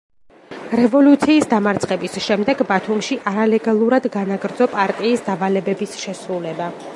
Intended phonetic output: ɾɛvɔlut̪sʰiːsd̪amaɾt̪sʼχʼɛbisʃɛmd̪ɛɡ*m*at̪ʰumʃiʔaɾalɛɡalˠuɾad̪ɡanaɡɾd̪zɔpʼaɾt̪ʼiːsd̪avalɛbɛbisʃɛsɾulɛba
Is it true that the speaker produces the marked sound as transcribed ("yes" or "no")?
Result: no